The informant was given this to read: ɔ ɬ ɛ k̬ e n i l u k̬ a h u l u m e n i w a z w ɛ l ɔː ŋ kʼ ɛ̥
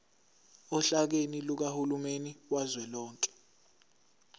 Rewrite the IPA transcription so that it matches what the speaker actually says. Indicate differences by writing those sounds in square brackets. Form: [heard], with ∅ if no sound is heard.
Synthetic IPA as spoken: ɔ ɬ [a] k̬ e n i l u k̬ a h u l u m e n i w a z w ɛ l ɔː ŋ kʼ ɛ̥

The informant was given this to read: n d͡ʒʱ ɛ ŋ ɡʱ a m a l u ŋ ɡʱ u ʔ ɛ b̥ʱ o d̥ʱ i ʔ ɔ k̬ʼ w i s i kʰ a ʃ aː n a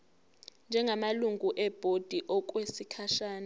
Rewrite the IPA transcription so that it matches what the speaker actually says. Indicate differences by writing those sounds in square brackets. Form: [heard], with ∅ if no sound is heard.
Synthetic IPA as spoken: n d͡ʒʱ ɛ ŋ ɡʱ a m a l u ŋ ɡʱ u ʔ ɛ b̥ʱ o d̥ʱ i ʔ ɔ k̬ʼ w [e] s i kʰ a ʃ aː n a

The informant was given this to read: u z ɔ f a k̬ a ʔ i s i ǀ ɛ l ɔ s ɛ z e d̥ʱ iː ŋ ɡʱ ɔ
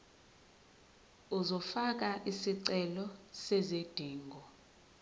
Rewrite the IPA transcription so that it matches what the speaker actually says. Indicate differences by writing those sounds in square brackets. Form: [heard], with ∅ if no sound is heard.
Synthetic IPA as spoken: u z ɔ f a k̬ a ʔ i s i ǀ ɛ l ɔ s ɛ z e d̥ʱ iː ŋ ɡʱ ɔ

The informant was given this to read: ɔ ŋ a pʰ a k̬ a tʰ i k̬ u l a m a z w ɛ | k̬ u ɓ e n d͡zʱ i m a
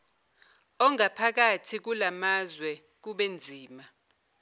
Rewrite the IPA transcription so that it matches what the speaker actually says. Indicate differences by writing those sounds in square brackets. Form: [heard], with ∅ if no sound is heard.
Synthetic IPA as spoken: ɔ ŋ a pʰ a k̬ a tʰ i k̬ u l a m a z w ɛ | k̬ u ɓ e n d͡zʱ [iː] m a

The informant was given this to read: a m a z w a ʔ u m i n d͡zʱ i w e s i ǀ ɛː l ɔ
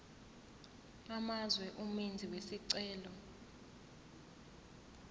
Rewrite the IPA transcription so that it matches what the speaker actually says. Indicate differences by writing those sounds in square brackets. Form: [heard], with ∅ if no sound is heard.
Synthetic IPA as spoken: a m a z w [ɛ] ʔ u m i n d͡zʱ i w e s i ǀ ɛː l ɔ

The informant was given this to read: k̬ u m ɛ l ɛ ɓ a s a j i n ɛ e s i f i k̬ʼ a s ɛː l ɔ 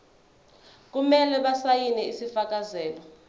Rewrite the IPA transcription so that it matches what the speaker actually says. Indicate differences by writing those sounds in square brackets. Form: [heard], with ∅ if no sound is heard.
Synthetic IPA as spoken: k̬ u m ɛ l ɛ ɓ a s a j i n ɛ [i] s i f [a] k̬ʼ a [z] ɛː l ɔ

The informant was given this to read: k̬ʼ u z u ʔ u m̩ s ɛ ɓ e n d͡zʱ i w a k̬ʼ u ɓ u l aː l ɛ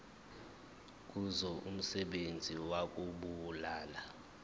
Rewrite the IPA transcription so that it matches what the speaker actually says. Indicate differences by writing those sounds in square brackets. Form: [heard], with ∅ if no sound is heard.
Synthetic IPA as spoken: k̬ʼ u z [ɔ] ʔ u m̩ s ɛ ɓ e n d͡zʱ i w a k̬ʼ u ɓ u l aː l [a]

